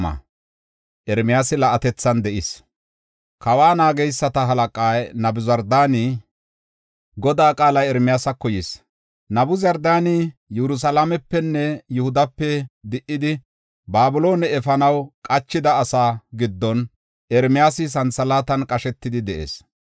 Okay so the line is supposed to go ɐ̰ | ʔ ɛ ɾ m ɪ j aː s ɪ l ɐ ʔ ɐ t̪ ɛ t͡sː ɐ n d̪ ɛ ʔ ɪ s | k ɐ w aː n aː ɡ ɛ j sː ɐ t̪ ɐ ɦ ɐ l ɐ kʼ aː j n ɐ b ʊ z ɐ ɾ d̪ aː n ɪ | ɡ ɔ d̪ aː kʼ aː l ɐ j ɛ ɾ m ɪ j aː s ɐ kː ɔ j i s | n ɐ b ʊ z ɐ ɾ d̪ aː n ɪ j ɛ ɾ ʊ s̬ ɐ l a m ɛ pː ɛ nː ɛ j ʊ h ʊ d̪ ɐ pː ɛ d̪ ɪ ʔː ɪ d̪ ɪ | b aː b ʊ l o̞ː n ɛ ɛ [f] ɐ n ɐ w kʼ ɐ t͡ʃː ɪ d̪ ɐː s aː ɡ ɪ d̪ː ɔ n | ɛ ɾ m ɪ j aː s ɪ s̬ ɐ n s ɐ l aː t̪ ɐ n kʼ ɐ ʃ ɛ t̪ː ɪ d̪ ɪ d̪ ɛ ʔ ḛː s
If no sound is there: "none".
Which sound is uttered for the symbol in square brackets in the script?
f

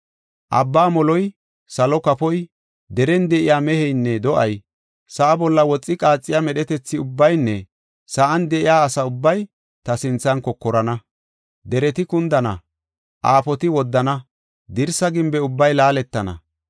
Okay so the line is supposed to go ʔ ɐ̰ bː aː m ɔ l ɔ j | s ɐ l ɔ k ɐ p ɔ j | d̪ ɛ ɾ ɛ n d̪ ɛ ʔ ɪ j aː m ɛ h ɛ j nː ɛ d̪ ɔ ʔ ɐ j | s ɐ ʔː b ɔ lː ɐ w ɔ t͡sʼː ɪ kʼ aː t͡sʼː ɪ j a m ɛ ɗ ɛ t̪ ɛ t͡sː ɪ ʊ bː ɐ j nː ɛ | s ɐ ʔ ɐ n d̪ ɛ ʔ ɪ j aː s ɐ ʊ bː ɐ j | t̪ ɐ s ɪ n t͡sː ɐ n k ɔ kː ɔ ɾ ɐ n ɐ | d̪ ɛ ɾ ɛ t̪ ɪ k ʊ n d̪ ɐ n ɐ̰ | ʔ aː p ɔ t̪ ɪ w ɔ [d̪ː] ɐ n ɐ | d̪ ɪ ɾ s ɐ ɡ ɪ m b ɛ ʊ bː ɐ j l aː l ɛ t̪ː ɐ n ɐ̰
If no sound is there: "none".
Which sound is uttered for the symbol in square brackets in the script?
d̪ː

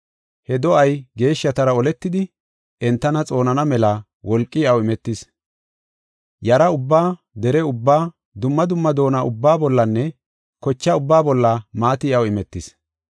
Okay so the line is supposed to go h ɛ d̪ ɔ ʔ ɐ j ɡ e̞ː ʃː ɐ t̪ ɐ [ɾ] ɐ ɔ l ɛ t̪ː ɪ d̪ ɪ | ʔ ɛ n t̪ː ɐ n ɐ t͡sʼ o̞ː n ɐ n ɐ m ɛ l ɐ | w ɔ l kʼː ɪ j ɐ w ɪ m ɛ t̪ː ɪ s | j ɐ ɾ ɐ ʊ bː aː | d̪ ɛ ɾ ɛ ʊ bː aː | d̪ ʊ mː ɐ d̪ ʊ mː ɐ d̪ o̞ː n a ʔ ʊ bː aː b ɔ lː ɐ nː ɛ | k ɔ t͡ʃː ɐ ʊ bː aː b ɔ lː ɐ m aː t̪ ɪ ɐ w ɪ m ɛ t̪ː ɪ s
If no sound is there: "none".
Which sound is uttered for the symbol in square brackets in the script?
ɾ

